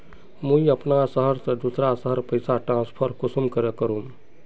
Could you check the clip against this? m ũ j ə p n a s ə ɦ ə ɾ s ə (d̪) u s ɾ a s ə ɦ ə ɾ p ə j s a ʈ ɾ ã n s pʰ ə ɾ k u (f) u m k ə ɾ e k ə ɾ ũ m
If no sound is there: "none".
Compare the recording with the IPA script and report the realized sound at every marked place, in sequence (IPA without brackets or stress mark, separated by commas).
d̪, s